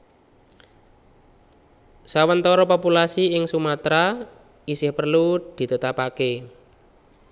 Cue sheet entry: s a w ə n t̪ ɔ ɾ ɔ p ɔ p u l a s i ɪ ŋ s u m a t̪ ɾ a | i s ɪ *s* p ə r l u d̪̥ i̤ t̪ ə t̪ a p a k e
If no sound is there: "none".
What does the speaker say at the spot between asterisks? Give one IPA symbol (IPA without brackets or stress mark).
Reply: h